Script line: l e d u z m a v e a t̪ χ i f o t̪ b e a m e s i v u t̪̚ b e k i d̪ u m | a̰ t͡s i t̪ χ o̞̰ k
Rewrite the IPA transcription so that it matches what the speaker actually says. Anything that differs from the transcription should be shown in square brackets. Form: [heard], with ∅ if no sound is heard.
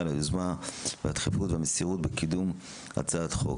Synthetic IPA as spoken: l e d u z m a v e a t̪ χ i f [u] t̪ [v] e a m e s i [ʁ] u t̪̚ b e k i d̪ u m | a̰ t͡s [a] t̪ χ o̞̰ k